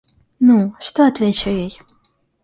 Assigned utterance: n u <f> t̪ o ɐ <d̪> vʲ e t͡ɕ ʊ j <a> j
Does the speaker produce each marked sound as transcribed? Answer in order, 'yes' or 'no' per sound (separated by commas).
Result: no, no, no